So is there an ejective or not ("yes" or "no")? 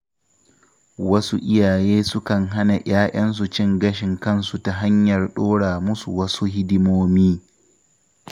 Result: no